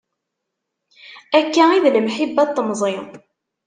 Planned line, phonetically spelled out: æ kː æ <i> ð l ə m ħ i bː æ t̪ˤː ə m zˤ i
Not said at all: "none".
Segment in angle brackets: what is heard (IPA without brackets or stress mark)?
i